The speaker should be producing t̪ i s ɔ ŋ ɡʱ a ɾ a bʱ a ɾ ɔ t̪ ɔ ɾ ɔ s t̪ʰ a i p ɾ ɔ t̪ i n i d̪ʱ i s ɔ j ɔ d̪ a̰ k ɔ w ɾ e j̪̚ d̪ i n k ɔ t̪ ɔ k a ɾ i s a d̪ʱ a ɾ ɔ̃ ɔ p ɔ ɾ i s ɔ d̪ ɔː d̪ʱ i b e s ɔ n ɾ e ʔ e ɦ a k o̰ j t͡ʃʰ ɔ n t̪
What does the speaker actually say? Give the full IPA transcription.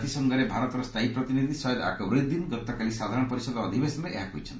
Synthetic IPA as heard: t̪ i s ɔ ŋ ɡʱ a ɾ e bʱ a ɾ ɔ t̪ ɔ ɾ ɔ s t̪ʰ a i p ɾ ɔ t̪ i n i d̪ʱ i s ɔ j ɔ d̪ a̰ k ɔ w ɾ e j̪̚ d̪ i n ɡ ɔ t̪ ɔ k a l i s a d̪ʱ a ɾ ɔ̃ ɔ p ɔ ɾ i s ɔ d̪ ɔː d̪ʱ i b e s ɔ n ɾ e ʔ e ɦ a k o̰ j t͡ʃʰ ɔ n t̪